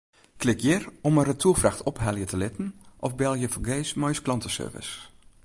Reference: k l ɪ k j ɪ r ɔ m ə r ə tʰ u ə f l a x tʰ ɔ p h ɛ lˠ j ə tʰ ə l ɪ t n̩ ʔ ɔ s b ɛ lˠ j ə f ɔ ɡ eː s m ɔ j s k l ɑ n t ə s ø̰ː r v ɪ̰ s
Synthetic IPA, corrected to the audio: k l ɪ k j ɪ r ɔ m ə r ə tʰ u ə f r a x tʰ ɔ p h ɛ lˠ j ə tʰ ə l ɪ t n̩ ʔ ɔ f b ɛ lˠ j ə f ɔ ɡ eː s m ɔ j s k l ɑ n t ə s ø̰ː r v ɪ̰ s